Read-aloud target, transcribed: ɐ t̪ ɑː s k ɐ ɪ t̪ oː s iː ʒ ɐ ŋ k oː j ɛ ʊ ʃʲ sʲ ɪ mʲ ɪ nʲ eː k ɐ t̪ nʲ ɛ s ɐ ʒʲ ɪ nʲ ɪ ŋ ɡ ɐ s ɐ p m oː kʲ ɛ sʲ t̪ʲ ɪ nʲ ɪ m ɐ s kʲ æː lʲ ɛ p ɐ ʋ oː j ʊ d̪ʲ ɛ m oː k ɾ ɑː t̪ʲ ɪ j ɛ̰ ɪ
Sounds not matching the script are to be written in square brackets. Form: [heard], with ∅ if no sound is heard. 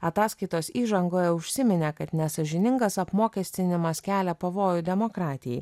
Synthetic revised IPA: ɐ t̪ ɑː s k ɐ ɪ t̪ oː s iː ʒ ɐ ŋ [ɡ] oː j ɛ ʊ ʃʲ sʲ ɪ mʲ ɪ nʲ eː k ɐ t̪ nʲ ɛ s ɐ ʒʲ ɪ nʲ ɪ ŋ ɡ ɐ s ɐ p m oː kʲ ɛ sʲ t̪ʲ ɪ nʲ ɪ m ɐ s kʲ æː lʲ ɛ p ɐ ʋ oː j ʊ d̪ʲ ɛ m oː k ɾ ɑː t̪ʲ ɪ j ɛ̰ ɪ

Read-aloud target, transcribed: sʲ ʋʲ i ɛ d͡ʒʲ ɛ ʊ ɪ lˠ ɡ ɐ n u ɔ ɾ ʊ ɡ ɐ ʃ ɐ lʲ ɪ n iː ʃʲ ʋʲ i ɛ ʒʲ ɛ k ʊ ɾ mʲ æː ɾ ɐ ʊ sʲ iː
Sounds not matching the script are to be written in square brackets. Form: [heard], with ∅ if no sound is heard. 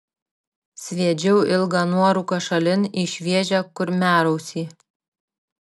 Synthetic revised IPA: sʲ ʋʲ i ɛ d͡ʒʲ ɛ ʊ ɪ lˠ ɡ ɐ n u ɔ ɾ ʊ [k] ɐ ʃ ɐ lʲ ɪ n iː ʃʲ ʋʲ i ɛ ʒʲ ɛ k ʊ ɾ mʲ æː ɾ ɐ ʊ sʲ iː

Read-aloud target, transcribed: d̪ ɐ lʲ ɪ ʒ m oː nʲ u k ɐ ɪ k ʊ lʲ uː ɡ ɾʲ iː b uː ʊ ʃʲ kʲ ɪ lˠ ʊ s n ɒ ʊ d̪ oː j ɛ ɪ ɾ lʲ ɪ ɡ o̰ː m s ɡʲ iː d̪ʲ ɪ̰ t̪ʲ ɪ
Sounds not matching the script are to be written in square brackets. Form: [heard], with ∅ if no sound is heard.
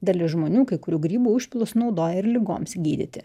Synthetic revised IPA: d̪ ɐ lʲ ɪ ʒ m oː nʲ [uː] k ɐ ɪ k ʊ [ɾʲ] uː ɡ ɾʲ iː b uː ʊ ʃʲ [pʲ] ɪ lˠ ʊ s n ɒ ʊ d̪ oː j ɛ ɪ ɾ lʲ ɪ ɡ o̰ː m s ɡʲ iː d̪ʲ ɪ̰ t̪ʲ ɪ

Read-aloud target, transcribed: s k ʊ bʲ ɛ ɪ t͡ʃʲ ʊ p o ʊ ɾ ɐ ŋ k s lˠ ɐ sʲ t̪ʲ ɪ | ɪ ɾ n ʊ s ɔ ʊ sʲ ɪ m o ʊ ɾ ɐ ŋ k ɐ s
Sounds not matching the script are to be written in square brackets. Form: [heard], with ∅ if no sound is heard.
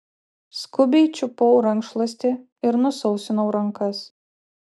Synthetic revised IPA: s k ʊ bʲ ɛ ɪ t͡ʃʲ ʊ p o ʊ ɾ ɐ ŋ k [ʃ] lˠ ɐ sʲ t̪ʲ ɪ | ɪ ɾ n ʊ s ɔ ʊ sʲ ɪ [n] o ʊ ɾ ɐ ŋ k ɐ s

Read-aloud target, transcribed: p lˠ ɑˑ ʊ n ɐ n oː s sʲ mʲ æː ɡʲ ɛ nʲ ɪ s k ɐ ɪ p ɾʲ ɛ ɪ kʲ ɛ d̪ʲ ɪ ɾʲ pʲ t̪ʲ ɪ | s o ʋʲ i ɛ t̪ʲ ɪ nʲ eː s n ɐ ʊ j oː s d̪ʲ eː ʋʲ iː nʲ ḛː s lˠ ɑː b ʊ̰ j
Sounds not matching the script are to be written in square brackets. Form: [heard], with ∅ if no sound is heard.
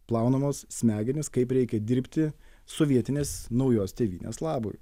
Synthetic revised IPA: p lˠ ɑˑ ʊ n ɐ [m] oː s sʲ mʲ æː ɡʲ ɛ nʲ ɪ s k ɐ ɪ p ɾʲ ɛ ɪ kʲ ɛ d̪ʲ ɪ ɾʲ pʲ t̪ʲ ɪ | s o ʋʲ i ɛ t̪ʲ ɪ nʲ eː s n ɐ ʊ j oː s [t̪ʲ] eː ʋʲ iː nʲ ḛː s lˠ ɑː b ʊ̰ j

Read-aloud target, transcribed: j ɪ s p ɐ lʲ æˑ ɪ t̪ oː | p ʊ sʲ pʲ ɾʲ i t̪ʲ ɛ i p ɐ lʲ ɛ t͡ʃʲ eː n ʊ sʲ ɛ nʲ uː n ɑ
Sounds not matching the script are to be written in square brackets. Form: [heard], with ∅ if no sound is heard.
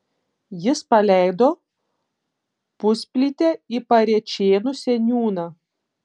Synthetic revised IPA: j ɪ s p ɐ lʲ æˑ ɪ [d̪] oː | p ʊ sʲ pʲ [lʲ] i t̪ʲ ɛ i p ɐ [ɾʲ] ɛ t͡ʃʲ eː n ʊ sʲ ɛ nʲ uː n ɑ

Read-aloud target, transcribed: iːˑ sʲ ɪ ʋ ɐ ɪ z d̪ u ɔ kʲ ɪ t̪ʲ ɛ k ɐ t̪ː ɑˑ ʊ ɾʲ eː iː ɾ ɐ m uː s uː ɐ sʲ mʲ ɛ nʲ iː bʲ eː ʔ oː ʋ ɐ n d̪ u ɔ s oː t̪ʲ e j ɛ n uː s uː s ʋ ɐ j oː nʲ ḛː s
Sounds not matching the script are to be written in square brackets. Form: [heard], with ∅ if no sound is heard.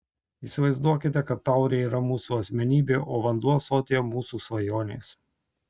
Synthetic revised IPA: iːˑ sʲ ɪ ʋ ɐ ɪ z d̪ u ɔ kʲ ɪ t̪ʲ ɛ k ɐ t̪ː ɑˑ ʊ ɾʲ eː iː ɾ ɐ m uː s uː ɐ sʲ mʲ ɛ nʲ iː bʲ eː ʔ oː ʋ ɐ n d̪ u ɔ s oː t̪ʲ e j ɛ [m] uː s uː s ʋ ɐ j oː nʲ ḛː s

